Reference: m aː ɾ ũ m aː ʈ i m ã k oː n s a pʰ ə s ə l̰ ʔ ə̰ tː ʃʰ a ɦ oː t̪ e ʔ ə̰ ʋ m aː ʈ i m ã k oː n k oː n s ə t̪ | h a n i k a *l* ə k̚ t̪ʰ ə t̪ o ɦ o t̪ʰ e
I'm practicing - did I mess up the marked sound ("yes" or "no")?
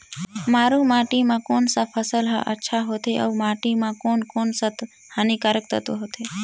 yes